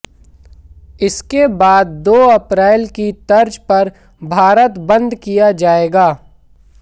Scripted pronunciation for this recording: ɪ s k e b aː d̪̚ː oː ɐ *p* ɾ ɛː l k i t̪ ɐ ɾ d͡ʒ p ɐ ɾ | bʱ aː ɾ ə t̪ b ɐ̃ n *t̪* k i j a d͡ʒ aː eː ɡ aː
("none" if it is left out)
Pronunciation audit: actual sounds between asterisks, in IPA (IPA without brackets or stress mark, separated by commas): p, d̪